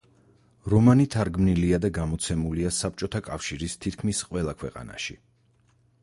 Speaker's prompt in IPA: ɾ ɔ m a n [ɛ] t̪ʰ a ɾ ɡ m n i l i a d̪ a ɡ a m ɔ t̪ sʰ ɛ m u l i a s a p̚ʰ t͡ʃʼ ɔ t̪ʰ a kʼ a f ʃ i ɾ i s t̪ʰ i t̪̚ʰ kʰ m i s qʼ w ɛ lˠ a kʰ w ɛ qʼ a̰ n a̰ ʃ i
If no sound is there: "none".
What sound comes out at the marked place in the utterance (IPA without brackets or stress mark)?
i